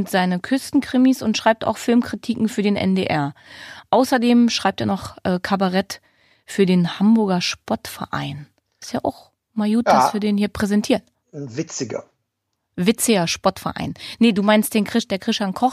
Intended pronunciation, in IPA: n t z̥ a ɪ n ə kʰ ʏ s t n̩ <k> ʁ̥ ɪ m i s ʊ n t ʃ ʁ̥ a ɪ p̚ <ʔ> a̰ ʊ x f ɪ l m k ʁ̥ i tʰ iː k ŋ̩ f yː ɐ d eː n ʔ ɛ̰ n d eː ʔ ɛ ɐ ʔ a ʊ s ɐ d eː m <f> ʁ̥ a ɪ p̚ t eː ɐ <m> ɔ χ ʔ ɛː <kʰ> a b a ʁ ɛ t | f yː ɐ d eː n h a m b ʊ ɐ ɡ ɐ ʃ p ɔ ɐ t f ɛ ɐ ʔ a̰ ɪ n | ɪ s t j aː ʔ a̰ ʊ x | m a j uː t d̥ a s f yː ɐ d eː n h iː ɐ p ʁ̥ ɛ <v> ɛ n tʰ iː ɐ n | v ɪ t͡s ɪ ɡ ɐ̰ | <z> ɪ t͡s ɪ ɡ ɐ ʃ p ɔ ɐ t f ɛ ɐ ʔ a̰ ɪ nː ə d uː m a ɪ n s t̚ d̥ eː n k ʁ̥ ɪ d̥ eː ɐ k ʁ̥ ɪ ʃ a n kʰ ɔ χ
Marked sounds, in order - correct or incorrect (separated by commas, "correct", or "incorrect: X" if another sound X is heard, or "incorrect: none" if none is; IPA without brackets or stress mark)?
correct, incorrect: t, incorrect: ʃ, incorrect: n, correct, incorrect: z, incorrect: v